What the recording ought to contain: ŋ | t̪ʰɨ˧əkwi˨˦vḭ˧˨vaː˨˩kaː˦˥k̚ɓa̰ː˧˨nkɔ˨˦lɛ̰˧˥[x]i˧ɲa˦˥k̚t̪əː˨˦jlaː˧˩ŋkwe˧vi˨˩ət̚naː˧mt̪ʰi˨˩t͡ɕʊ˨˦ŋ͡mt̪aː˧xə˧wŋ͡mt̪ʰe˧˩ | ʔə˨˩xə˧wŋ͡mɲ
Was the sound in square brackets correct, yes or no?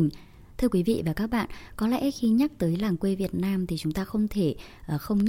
yes